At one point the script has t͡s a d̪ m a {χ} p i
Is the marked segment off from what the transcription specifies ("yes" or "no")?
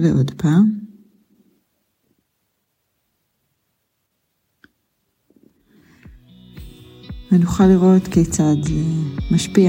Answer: yes